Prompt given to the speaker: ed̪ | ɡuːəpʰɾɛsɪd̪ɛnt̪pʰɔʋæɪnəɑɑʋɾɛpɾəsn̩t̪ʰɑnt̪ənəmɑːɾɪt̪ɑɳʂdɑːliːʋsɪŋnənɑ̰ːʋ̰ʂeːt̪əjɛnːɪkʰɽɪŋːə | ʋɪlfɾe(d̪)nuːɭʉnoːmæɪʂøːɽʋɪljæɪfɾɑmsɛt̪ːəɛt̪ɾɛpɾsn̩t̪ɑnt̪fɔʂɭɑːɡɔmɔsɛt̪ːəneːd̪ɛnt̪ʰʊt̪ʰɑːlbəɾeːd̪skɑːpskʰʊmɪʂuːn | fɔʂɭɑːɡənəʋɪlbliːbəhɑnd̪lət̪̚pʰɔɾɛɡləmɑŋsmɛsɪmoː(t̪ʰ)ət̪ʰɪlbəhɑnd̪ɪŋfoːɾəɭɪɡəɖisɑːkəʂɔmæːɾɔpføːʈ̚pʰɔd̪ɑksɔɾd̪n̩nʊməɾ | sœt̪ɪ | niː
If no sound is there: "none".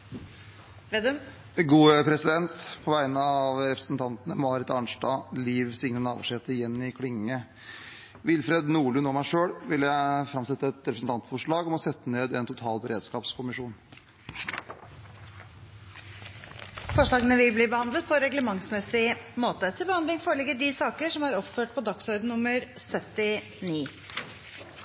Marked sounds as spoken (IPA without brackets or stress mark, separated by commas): d̪, t̪